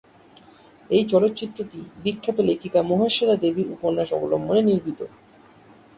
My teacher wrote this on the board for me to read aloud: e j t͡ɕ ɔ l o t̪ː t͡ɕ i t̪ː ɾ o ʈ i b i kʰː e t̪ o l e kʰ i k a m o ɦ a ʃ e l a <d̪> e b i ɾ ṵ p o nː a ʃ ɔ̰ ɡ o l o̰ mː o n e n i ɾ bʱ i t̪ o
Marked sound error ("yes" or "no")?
no